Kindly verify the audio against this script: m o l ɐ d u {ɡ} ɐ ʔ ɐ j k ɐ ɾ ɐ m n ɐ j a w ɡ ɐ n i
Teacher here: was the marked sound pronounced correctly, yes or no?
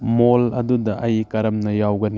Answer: no